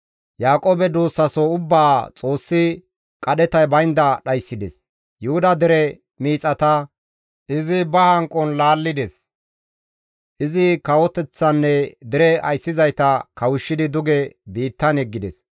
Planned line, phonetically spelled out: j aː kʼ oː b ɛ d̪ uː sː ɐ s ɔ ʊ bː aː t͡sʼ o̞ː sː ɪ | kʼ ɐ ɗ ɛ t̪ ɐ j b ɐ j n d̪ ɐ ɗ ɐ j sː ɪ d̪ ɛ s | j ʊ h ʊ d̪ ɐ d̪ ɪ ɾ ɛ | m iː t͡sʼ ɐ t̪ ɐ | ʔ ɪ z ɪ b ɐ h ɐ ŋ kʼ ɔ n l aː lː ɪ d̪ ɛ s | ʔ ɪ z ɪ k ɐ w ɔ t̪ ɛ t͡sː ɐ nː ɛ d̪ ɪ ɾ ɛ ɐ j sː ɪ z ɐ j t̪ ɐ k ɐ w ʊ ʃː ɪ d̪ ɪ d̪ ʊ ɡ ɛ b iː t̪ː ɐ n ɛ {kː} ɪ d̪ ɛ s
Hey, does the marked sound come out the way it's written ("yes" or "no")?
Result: no